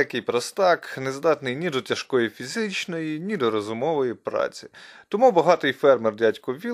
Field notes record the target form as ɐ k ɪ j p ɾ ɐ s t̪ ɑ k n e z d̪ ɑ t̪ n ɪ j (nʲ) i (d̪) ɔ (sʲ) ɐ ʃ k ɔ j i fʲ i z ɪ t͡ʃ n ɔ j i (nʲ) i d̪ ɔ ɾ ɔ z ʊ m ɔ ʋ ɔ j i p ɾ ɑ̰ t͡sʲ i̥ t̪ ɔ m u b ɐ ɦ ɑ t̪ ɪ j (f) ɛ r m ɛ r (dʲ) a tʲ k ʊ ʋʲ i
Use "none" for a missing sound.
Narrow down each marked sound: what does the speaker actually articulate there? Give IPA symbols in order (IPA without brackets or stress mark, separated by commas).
nʲ, d̪, tʲ, nʲ, f, dʲ